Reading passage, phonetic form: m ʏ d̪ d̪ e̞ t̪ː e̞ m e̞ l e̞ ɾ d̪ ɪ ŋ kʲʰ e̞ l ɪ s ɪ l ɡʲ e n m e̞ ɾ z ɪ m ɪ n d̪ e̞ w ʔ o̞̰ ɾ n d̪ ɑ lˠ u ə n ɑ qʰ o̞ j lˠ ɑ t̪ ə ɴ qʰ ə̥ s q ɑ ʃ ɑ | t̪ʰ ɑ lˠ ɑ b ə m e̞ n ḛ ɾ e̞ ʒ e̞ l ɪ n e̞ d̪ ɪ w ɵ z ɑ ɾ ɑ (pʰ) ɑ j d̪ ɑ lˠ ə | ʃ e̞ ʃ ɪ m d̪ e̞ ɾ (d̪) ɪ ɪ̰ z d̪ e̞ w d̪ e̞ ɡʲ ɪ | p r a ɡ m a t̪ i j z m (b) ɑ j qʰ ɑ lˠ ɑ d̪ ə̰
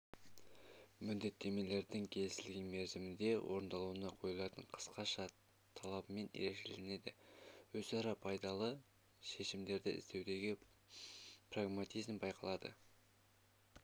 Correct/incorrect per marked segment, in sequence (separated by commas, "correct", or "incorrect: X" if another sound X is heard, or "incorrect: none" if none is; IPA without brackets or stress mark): correct, correct, correct